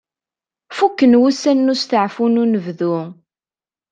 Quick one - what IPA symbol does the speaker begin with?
f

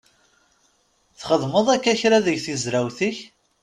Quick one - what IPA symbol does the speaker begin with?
θ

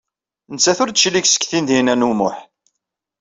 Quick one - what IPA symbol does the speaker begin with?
n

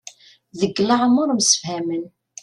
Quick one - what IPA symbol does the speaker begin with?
ð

